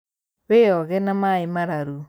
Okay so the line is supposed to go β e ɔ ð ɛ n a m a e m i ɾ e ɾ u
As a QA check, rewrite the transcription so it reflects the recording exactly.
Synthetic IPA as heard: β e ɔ ɣ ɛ n a m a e m a ɾ a ɾ u